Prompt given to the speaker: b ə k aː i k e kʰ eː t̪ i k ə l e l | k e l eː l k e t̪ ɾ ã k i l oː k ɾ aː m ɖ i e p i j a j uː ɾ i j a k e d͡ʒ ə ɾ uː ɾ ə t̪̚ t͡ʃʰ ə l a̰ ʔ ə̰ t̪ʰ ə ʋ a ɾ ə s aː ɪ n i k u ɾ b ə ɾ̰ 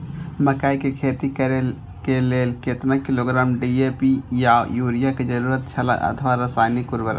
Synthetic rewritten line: m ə k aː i k e kʰ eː t̪ i k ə ɾ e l | k e l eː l k e t̪ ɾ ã k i l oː ɡ ɾ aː m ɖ i e p i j a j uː ɾ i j a k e d͡ʒ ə ɾ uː ɾ ə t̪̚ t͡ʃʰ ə l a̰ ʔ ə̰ t̪ʰ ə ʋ a ɾ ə s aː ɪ n i k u ɾ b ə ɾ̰